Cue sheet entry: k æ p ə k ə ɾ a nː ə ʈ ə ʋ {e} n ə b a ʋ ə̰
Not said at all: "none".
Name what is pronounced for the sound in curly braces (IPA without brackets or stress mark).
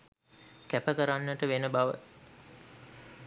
e